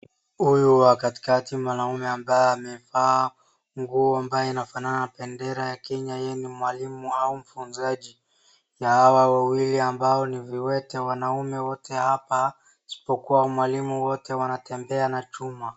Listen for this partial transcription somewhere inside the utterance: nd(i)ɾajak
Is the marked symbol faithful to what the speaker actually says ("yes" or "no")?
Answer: no